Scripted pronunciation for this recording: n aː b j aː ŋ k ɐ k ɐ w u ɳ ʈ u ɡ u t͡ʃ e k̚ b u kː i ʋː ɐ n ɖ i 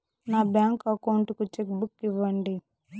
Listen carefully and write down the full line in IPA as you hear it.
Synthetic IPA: n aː b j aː ŋ k ɐ k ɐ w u ɳ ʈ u k u t͡ʃ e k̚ b u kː i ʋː ɐ ɳ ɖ i